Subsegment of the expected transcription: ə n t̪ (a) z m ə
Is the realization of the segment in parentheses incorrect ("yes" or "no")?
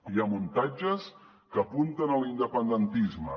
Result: yes